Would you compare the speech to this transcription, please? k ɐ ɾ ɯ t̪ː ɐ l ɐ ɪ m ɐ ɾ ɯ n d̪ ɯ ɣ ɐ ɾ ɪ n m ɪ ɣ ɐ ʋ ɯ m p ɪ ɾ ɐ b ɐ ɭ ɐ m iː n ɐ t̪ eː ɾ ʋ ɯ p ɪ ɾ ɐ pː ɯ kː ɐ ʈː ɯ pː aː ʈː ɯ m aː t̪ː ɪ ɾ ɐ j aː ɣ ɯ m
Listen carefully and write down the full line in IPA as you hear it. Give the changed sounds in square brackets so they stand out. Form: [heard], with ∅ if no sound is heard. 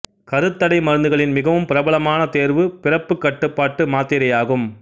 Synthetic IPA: k ɐ ɾ ɯ t̪ː ɐ [ɽ] ɐ ɪ m ɐ ɾ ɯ n d̪ ɯ ɣ ɐ [ɭ] ɪ n m ɪ ɣ ɐ ʋ ɯ m p ɪ ɾ ɐ b ɐ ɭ ɐ m [aː] n ɐ t̪ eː ɾ ʋ ɯ p ɪ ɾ ɐ pː ɯ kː ɐ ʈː ɯ pː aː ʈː ɯ m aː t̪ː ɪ ɾ ɐ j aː ɣ ɯ m